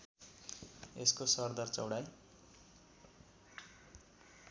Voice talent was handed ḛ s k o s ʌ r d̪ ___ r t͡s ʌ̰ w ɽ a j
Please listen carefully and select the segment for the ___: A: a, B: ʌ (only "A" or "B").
B